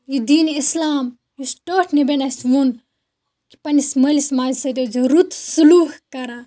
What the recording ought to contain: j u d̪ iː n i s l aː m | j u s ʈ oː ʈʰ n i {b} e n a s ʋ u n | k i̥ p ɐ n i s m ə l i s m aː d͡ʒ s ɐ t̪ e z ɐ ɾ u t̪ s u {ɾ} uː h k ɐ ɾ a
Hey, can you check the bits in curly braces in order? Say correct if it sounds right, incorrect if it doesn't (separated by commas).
correct, incorrect